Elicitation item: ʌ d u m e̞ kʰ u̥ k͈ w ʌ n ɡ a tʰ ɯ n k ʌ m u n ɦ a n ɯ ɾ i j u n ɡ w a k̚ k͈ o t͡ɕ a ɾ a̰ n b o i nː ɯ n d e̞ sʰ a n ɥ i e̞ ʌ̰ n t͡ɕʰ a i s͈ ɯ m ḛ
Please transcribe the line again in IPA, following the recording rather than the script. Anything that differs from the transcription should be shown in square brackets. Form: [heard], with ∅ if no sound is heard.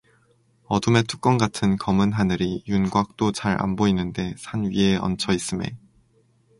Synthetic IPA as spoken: ʌ d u m e̞ [tʰ] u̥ k͈ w ʌ n ɡ a tʰ ɯ n k ʌ m [ɯ] n ɦ a n ɯ ɾ i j u n ɡ w a k̚ [t͈] o t͡ɕ a ɾ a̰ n b o i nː ɯ n d e̞ sʰ a n ɥ i e̞ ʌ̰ n t͡ɕʰ [ʌ] i s͈ ɯ m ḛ